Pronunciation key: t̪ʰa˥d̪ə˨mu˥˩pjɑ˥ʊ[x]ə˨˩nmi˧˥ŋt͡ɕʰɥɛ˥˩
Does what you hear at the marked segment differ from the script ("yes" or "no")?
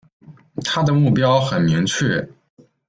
no